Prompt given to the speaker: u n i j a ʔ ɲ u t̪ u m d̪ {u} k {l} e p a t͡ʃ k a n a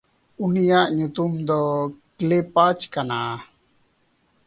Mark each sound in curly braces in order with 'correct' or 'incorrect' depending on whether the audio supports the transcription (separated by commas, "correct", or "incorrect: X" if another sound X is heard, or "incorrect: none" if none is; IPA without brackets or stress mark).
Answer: incorrect: ɔ, correct